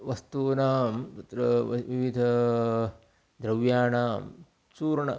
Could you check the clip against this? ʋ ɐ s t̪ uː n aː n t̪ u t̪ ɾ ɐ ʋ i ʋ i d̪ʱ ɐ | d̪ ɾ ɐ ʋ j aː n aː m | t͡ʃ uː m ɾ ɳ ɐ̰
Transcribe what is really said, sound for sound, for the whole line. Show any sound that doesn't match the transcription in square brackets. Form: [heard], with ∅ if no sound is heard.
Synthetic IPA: ʋ ɐ s t̪ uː n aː [m] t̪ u t̪ ɾ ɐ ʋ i ʋ i d̪ʱ ɐ | d̪ ɾ ɐ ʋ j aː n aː m | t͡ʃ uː [∅] ɾ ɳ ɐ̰